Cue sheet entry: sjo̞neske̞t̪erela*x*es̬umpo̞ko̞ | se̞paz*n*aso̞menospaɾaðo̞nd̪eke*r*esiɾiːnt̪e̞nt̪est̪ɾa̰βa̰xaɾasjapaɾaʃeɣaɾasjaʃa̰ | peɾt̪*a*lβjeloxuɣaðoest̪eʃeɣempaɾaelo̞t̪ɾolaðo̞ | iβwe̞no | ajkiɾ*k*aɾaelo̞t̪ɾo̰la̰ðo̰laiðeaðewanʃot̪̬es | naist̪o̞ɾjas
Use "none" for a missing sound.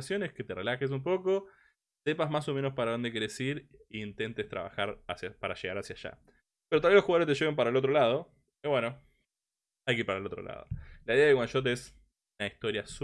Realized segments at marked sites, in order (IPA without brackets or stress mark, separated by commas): x, m, ɾ, a, p